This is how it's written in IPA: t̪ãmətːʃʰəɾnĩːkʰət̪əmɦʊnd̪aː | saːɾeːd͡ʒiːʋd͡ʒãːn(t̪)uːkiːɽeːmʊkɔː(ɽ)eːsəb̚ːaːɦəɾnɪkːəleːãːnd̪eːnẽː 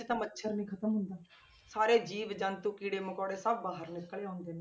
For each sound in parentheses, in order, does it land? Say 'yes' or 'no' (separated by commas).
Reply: yes, yes